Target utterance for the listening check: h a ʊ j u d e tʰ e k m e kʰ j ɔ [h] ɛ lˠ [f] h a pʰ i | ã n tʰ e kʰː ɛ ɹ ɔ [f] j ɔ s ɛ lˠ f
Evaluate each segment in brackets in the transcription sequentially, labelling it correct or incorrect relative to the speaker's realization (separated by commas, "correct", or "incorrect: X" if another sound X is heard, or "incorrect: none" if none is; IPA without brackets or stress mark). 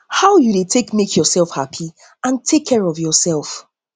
incorrect: s, correct, incorrect: v